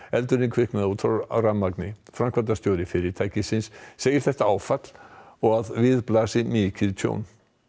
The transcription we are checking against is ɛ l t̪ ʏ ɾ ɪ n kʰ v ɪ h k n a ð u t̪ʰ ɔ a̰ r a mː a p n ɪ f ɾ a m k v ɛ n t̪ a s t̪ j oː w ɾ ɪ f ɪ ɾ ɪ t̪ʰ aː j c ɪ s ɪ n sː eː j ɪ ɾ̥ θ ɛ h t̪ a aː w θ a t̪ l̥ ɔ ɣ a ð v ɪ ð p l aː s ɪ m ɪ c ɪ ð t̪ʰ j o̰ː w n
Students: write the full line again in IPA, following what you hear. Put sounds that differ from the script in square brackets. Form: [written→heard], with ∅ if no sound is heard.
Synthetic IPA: ɛ l t̪ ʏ ɾ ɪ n kʰ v ɪ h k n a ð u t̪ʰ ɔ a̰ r a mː a [p→k] n ɪ f ɾ a m k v [ɛ→a] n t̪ a s t̪ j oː w ɾ ɪ f ɪ ɾ ɪ t̪ʰ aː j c ɪ s ɪ n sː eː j ɪ ɾ̥ θ ɛ h t̪ a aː w [θ→f] a t̪ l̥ ɔ ɣ a ð v ɪ ð p l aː s ɪ m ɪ c ɪ ð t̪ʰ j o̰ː w n